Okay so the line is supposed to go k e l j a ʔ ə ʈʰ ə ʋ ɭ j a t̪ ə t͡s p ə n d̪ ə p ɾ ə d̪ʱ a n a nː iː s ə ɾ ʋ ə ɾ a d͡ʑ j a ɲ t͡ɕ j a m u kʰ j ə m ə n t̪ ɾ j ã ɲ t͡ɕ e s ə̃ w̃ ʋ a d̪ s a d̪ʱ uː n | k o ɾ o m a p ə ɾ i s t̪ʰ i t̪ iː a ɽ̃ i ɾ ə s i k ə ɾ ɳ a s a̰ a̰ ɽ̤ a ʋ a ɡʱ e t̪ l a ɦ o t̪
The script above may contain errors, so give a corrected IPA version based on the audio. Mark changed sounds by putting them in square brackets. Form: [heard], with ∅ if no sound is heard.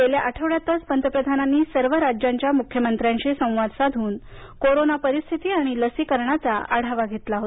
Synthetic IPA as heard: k e l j a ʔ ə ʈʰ ə ʋ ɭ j a t̪ ə t͡s p ə n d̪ ə p ɾ ə d̪ʱ a n a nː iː s ə ɾ ʋ ə ɾ a d͡ʑ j a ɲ t͡ɕ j a m u kʰ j ə m ə n t̪ ɾ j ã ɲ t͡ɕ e s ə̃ w̃ ʋ a d̪ s a d̪ʱ uː n | k o ɾ o [n] a p ə ɾ i s t̪ʰ i t̪ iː a ɽ̃ i [l] ə s i k ə ɾ ɳ a [t͡s] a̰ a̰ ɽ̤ a ʋ a ɡʱ e t̪ l a ɦ o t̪